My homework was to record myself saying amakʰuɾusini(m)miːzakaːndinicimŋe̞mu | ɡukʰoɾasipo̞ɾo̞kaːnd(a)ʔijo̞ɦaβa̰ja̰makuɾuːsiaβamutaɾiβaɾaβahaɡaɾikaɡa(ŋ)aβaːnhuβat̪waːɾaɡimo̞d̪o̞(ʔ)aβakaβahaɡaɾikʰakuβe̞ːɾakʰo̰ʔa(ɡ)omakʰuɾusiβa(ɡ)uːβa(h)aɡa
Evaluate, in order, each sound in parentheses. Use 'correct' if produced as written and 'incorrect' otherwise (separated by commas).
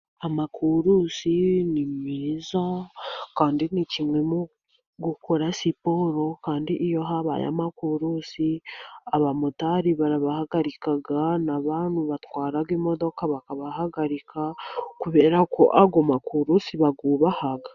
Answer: correct, incorrect, incorrect, incorrect, correct, correct, correct